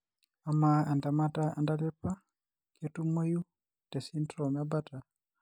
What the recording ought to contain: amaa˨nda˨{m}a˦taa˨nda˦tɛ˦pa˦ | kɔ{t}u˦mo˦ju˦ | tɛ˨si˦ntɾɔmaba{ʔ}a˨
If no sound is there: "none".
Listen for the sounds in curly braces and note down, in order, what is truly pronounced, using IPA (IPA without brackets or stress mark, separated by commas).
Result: m, t, t